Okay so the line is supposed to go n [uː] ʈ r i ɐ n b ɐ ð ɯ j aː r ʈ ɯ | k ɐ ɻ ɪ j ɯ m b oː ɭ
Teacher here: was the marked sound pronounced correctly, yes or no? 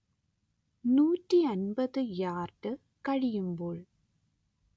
yes